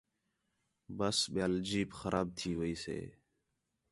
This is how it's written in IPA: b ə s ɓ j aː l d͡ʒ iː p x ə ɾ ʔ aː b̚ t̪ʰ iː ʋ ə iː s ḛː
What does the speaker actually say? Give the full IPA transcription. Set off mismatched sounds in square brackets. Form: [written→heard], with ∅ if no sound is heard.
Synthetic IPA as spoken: b ə s ɓ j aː l d͡ʒ iː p x ə ɾ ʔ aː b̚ t̪ʰ iː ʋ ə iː s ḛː